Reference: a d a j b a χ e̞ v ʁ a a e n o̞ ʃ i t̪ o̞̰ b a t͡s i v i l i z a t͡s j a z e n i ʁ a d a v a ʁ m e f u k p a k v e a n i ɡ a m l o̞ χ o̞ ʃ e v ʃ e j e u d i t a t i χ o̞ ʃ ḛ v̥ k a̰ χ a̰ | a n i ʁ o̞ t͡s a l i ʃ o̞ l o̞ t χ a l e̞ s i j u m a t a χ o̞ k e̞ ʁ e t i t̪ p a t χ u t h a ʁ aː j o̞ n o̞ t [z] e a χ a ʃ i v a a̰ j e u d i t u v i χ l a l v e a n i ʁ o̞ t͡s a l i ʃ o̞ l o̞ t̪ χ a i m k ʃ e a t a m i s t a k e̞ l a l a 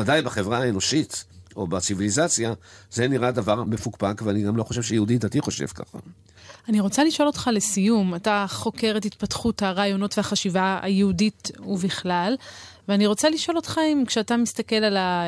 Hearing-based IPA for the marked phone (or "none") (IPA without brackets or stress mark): v